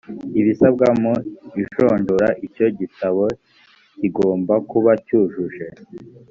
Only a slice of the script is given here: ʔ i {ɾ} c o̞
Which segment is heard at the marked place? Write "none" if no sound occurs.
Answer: none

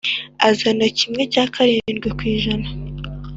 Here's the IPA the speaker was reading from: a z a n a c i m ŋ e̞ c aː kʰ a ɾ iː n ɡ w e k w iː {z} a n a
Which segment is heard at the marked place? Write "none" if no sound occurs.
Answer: ʒ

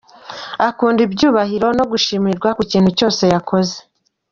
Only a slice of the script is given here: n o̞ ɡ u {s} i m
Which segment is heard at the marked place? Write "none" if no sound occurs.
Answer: ʃ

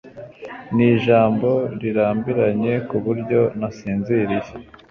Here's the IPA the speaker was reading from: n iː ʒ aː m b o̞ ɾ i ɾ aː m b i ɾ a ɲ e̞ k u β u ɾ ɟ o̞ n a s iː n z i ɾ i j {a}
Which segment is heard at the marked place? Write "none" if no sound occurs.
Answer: e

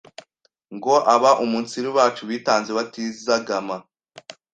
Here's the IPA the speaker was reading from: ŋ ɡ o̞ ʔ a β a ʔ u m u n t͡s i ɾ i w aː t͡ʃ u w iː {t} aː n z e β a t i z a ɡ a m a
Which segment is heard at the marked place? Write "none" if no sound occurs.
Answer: t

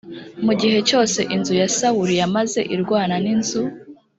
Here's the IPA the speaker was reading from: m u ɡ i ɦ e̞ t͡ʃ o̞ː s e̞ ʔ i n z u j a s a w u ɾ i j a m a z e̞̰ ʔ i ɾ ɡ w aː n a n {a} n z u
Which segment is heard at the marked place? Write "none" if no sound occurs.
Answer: i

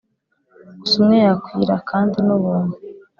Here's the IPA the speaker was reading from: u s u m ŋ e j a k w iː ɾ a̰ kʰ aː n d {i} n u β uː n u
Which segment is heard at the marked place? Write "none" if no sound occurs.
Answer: i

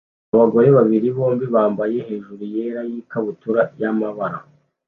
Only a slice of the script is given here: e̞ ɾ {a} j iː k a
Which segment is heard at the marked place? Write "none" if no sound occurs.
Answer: a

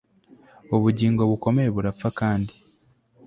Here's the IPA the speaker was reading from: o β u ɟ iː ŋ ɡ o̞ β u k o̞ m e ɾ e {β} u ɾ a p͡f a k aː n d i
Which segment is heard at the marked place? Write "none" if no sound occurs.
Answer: β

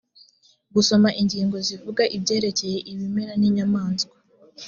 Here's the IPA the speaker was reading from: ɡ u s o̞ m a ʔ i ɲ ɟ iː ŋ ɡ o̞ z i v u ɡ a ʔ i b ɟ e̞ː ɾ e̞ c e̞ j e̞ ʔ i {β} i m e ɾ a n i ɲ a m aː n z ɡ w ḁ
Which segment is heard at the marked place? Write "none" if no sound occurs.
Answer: β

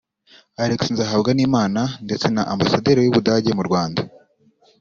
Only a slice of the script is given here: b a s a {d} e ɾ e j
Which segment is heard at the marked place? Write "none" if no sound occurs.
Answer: d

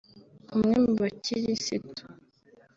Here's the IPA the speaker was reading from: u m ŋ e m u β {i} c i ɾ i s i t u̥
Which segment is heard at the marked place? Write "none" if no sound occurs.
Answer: a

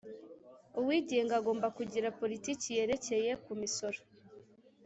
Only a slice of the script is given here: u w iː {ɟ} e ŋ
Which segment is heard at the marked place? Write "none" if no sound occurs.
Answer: ɟ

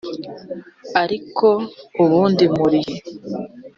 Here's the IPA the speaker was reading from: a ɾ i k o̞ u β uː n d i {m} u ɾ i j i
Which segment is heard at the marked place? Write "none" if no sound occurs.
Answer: m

